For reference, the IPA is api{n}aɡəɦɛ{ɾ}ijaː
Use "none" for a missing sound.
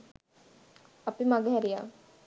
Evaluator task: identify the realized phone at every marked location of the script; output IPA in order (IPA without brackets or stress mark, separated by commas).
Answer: m, ɾ